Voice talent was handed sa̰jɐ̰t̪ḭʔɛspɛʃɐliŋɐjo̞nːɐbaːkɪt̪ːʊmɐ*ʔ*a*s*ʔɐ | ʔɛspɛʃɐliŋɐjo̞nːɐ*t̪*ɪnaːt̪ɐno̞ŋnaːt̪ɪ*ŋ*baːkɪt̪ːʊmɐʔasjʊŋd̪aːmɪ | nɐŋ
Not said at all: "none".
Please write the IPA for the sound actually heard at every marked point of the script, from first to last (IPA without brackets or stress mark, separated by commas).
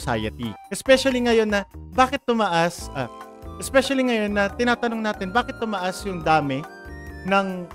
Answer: ʔ, s, t̪, n